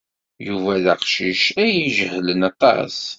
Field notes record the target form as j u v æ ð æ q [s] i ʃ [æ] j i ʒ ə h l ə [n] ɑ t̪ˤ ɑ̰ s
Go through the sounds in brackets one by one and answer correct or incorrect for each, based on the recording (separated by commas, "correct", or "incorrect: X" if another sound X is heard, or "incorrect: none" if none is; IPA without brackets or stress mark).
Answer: incorrect: ʃ, correct, correct